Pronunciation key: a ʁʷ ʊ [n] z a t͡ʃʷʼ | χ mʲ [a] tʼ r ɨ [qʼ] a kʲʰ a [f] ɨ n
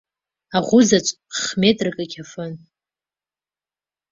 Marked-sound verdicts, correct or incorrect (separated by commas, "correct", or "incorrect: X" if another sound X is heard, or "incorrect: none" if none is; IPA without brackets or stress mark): incorrect: none, incorrect: e, incorrect: kʼ, correct